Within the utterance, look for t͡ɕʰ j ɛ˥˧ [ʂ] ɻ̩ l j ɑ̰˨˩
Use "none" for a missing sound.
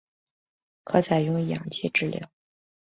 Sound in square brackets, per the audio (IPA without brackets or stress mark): ʈ͡ʂ